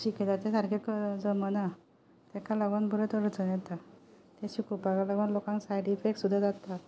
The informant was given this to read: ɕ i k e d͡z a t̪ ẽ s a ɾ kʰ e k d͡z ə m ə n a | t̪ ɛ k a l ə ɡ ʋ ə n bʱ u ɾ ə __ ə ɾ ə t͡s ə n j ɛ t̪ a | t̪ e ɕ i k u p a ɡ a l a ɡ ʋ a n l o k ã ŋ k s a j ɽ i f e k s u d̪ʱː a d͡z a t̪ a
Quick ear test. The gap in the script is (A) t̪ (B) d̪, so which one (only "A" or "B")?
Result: A